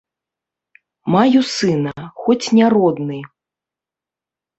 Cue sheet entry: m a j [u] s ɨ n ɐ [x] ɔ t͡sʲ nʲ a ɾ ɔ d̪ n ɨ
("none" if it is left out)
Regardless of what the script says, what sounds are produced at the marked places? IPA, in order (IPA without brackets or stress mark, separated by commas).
u, x